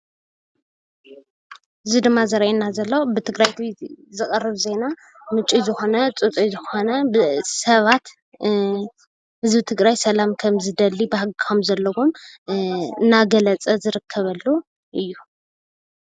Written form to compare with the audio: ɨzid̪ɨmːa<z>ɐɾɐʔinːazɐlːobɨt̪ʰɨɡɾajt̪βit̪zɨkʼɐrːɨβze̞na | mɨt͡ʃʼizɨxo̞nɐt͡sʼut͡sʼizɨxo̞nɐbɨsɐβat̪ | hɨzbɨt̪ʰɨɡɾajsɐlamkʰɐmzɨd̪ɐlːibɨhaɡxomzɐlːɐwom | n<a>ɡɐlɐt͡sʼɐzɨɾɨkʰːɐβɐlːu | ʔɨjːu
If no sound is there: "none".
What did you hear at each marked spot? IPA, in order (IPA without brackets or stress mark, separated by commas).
z, a